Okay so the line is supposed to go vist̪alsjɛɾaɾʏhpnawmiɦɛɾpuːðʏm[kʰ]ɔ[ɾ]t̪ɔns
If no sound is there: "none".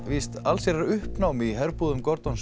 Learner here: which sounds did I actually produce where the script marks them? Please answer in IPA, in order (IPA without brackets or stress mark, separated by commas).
k, ɾ